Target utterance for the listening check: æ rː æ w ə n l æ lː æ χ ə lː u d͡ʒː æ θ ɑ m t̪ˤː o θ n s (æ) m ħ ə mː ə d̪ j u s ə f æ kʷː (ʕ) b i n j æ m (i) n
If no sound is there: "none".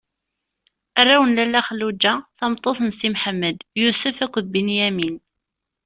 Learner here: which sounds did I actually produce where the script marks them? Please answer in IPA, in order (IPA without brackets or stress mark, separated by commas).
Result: i, ð, i